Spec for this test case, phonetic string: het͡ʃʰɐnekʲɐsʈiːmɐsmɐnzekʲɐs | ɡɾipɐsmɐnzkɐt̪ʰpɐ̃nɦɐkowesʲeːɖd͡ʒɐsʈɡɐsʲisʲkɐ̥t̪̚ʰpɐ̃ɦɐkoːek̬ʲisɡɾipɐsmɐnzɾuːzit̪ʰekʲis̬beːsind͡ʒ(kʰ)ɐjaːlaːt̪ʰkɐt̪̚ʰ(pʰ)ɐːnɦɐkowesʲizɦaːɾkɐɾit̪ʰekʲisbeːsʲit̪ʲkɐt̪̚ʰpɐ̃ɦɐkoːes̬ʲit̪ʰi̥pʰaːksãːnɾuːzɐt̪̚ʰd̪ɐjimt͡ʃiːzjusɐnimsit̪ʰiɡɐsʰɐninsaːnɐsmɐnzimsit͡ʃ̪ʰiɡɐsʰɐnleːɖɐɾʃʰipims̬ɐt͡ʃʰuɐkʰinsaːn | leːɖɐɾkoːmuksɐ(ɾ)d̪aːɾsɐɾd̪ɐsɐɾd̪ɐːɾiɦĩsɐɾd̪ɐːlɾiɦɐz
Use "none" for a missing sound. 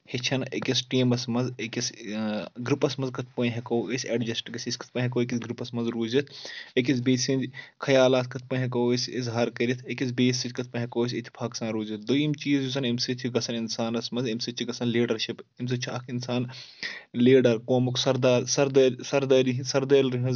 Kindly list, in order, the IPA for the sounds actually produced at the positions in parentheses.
kʰ, p, ɾ

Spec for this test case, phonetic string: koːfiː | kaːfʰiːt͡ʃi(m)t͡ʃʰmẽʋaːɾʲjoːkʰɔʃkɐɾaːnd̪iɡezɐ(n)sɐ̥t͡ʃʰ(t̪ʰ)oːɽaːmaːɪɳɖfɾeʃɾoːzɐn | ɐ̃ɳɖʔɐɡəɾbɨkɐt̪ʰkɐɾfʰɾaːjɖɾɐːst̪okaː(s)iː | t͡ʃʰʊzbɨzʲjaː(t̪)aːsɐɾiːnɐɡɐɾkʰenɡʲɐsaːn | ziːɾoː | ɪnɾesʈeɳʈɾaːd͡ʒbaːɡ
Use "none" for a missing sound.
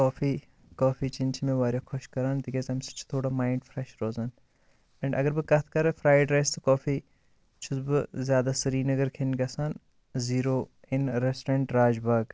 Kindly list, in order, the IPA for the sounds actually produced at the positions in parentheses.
n, m, t̪ʰ, f, d̪

